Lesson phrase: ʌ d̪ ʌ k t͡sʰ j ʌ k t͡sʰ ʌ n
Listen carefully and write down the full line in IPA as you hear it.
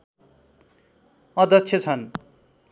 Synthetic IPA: ʌ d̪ ʌ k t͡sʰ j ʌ t͡sʰ ʌ n